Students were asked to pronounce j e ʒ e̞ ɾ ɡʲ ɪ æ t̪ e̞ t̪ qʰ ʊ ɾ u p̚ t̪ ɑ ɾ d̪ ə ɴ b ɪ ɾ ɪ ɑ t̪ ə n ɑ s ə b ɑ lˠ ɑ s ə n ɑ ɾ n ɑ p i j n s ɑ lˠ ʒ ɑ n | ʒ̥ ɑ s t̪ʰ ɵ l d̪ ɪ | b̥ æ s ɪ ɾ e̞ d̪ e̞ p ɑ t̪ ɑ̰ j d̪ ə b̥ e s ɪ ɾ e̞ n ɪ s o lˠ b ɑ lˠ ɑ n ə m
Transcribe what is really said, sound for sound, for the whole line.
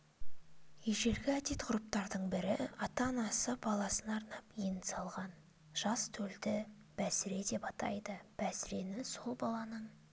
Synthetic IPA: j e ʒ e̞ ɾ ɡʲ ɪ æ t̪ e̞ t̪ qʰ ʊ ɾ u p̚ t̪ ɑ ɾ d̪ ə ɴ b ɪ ɾ ɪ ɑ t̪ ɑ n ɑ s ə b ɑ lˠ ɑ s ə n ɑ ɾ n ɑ p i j n s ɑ lˠ ʁ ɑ n | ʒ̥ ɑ s t̪ʰ ɵ l d̪ ɪ | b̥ æ s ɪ ɾ e̞ d̪ e̞ p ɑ t̪ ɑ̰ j d̪ ə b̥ æ s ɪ ɾ e̞ n ɪ s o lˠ b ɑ lˠ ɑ n ə ɴ

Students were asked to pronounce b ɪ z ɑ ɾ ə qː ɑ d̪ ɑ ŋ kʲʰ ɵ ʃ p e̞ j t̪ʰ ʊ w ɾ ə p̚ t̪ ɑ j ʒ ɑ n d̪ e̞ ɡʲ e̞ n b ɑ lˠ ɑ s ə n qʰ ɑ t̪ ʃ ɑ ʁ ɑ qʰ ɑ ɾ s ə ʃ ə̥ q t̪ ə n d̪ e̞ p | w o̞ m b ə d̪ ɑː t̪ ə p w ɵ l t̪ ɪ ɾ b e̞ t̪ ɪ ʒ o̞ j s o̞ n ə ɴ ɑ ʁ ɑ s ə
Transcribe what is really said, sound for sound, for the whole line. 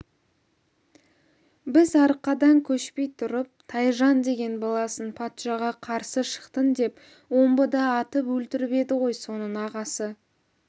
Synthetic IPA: b ɪ z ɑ ɾ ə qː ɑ d̪ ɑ ŋ kʲʰ ɵ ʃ p e̞ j t̪ʰ ʊ ɾ ə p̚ t̪ʰ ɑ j ʒ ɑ n d̪ e̞ ɡʲ e̞ n b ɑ lˠ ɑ s ə n pʰ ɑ t̪ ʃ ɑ ʁ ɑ qʰ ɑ ɾ s ə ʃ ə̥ q t̪ ə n d̪ e̞ p | w o̞ m b ə d̪ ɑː t̪ ə p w ɵ l t̪ ɪ ɾ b e̞ d̪ ɪ ʁ o̞ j s o̞ n ə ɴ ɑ ʁ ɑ s ə

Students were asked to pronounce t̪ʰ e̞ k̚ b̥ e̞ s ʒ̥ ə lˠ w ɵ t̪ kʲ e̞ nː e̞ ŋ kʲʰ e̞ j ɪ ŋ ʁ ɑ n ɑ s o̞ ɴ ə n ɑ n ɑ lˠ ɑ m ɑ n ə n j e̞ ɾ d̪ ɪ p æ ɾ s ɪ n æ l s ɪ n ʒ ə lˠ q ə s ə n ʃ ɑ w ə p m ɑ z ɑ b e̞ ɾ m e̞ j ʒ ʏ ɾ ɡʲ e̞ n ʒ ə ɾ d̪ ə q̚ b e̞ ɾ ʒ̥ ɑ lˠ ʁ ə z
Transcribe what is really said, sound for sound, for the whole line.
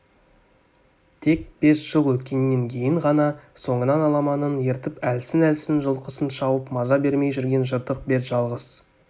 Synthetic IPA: t̪ʰ e̞ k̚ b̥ e̞ s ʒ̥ ə lˠ w ɵ t̪ kʲ e̞ nː e̞ ŋ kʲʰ e̞ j ɪ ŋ ʁ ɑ n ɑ s o̞ ɴ ə n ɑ n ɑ lˠ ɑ m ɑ n ə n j e̞ ɾ t̪ ɪ p æ l s ɪ n æ l s ɪ n ʒ ə lˠ q ə s ə n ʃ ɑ w ə p m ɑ z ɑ b e̞ ɾ m e̞ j ʒ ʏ ɾ ɡʲ e̞ n ʒ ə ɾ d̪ ə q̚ b e̞ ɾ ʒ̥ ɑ lˠ ʁ ə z

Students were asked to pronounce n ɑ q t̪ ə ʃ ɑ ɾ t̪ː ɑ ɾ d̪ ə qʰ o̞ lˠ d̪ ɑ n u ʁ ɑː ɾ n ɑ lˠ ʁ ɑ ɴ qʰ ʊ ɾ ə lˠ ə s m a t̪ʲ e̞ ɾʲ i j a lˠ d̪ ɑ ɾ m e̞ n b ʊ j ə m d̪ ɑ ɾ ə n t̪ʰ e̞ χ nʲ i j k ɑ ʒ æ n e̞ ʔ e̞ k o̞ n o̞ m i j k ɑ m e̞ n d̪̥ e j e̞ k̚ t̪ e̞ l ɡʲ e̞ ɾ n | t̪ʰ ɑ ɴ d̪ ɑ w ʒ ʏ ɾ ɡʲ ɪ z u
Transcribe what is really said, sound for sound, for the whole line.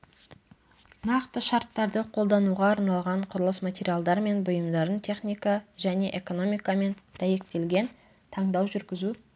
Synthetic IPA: n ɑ q t̪ ə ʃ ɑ ɾ t̪ː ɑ ɾ d̪ ə qʰ o̞ lˠ d̪ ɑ n u ʁ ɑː ɾ n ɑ lˠ ʁ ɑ ɴ qʰ ʊ ɾ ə lˠ ə s m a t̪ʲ e̞ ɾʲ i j a lˠ d̪ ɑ ɾ m e̞ n b ʊ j ə m d̪ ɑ ɾ ə n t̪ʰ e̞ χ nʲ i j k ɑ ʒ æ n e̞ ʔ e̞ k o̞ n o̞ m i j k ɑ m e̞ n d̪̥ æ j e̞ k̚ t̪ e̞ l ɡʲ e̞ n | t̪ʰ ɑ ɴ d̪ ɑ w ʒ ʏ ɾ ɡʲ ɪ z u

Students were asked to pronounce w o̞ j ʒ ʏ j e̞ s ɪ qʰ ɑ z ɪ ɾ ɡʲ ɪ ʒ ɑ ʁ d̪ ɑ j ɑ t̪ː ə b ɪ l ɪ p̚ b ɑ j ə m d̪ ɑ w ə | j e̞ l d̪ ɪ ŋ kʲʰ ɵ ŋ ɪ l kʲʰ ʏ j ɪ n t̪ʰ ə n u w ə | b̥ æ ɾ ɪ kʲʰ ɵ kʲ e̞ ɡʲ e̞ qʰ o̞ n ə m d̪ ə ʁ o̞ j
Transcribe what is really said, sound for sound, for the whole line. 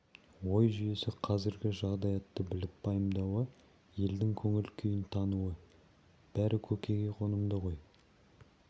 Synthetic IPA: w o̞ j ʒ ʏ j e̞ s ɪ qʰ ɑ z ɪ ɾ ɡʲ ɪ ʒ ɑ ʁ d̪ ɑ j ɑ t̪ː ə b ɪ l ɪ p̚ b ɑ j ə m d̪ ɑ w ə | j e̞ l d̪ ɪ ŋ kʲʰ ɵ ŋ ɪ l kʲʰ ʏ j ɪ n t̪ʰ ɑ n u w ə | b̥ æ ɾ ɪ kʲʰ ɵ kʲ e̞ ɡʲ e̞ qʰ o̞ n ə m d̪ ə ʁ o̞ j

